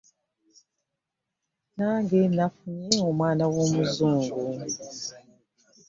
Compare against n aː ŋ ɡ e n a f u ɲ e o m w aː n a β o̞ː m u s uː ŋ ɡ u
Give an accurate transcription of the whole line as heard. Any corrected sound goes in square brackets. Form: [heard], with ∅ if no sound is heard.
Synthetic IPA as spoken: n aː ŋ ɡ e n a f u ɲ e o m w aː n a [w] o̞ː m u [z] uː ŋ ɡ u